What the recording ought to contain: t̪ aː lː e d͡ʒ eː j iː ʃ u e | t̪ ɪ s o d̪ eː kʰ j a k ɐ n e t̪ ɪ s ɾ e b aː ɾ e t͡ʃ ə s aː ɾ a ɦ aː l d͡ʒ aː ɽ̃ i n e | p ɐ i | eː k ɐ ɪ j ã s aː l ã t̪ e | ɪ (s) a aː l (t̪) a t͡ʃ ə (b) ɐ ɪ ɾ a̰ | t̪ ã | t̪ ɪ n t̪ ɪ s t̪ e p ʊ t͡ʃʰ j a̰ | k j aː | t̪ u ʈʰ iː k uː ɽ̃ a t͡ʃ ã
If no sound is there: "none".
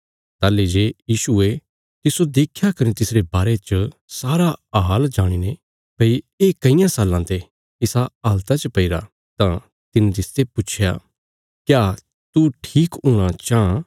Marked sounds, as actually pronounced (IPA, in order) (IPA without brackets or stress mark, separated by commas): s, t̪, p